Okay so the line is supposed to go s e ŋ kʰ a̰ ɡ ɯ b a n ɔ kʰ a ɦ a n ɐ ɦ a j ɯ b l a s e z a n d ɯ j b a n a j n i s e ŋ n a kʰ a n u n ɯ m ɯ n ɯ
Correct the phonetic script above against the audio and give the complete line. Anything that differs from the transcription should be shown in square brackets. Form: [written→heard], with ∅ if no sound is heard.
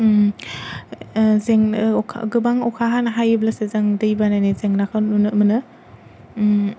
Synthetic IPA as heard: [s→z] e ŋ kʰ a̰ ɡ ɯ b a [n→ŋ] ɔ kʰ a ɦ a n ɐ ɦ a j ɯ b l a s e z a [n→ŋ] d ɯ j b a n a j n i [s→z] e ŋ n a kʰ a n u n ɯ m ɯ n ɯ